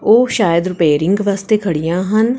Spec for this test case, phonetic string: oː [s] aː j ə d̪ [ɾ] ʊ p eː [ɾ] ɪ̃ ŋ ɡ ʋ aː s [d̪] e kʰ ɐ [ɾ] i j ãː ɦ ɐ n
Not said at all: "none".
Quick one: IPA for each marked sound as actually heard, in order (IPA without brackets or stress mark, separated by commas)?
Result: ʃ, ɾ, ɾ, t̪, ɽ